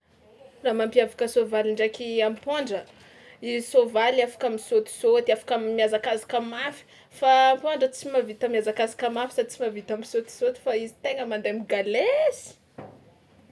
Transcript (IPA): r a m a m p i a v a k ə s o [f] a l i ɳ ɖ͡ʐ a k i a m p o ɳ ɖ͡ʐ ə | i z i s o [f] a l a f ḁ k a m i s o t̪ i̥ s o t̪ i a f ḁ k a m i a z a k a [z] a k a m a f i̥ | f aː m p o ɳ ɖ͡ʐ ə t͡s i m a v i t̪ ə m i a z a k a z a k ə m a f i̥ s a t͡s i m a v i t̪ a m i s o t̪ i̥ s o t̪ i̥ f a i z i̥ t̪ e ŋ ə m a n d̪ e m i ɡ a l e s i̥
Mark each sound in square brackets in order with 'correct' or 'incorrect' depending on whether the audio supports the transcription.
incorrect, incorrect, correct

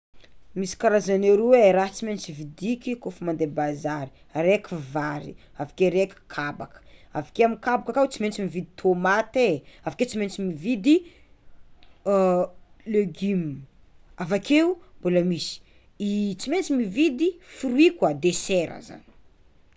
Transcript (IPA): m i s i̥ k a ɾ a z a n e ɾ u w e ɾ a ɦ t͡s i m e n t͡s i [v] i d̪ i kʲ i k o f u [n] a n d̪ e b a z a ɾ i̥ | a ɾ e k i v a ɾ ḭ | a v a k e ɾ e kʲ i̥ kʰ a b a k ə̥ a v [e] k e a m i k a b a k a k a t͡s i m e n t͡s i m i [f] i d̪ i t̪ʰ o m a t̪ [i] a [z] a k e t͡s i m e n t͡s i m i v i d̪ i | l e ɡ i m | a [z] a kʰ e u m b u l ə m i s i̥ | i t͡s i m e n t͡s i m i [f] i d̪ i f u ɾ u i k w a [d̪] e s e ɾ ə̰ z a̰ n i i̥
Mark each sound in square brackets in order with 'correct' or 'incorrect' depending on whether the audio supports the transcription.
correct, incorrect, incorrect, incorrect, incorrect, incorrect, incorrect, incorrect, correct

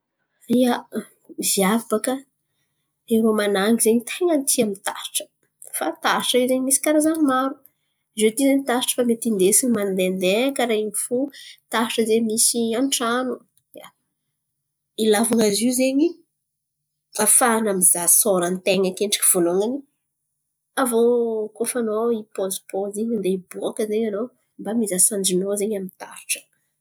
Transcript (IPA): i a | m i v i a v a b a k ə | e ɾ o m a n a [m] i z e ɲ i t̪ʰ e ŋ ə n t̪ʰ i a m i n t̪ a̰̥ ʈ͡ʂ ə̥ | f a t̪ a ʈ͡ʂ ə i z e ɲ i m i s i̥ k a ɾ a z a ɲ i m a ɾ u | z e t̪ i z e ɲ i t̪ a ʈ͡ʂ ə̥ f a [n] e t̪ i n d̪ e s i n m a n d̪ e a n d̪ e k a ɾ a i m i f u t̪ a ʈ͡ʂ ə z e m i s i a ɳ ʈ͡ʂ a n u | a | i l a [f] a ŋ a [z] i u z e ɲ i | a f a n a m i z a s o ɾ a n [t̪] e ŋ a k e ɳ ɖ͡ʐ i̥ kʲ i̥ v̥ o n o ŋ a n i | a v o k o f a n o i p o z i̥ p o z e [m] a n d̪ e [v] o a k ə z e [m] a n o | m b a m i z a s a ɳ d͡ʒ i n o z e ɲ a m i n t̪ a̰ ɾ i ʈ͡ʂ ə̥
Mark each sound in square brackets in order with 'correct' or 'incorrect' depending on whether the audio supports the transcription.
incorrect, incorrect, incorrect, correct, correct, incorrect, incorrect, incorrect

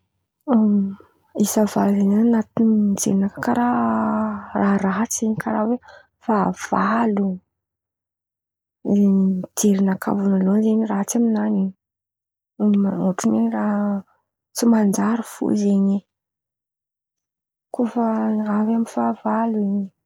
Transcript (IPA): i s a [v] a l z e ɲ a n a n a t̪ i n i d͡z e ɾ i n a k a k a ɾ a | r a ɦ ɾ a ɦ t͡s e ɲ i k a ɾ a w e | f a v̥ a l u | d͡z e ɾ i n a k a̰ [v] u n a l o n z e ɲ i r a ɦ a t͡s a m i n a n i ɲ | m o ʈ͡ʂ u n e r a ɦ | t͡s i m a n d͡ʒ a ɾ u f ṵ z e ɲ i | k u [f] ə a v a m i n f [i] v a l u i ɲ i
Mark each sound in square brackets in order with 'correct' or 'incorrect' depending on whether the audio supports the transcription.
correct, correct, correct, incorrect

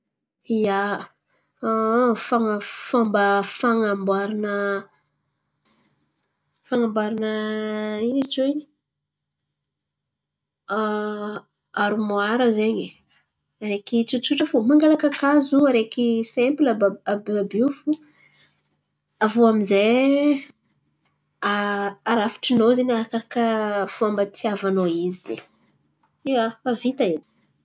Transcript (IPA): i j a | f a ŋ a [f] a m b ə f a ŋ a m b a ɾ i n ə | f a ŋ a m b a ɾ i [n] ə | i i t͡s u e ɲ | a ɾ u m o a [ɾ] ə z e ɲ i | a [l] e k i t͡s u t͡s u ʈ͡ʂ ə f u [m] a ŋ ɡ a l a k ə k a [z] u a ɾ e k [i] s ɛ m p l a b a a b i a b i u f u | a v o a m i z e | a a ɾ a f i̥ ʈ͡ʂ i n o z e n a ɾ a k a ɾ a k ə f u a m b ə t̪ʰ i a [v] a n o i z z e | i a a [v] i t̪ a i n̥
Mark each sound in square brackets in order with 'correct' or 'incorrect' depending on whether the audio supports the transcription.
correct, correct, correct, incorrect, correct, correct, correct, correct, correct

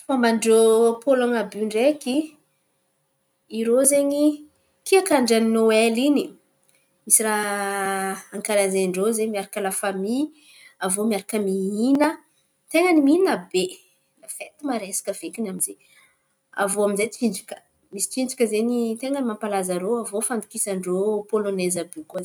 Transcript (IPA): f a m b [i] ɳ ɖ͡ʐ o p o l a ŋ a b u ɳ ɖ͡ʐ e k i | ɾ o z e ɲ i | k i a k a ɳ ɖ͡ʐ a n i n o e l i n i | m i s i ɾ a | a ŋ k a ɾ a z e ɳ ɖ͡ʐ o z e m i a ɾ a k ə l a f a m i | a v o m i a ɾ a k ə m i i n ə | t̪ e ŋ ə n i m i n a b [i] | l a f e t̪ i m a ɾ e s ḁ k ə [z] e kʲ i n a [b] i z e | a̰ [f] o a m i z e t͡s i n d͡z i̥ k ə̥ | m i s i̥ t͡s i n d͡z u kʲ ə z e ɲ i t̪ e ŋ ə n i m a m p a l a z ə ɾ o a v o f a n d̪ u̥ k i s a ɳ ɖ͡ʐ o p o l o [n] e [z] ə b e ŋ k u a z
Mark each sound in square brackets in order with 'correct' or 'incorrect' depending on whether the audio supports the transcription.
incorrect, incorrect, incorrect, incorrect, incorrect, correct, correct

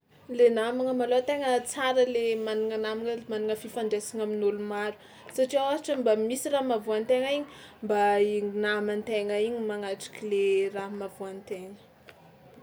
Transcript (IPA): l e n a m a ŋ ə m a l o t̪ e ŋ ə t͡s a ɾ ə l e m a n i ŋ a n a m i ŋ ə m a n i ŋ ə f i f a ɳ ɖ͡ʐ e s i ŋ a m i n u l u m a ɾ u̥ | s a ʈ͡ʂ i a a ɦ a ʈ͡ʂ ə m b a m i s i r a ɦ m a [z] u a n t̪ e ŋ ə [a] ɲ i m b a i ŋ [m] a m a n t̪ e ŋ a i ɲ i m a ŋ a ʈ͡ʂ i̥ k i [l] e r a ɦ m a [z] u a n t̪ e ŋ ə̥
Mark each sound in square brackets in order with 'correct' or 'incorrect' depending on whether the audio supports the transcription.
incorrect, incorrect, incorrect, correct, incorrect

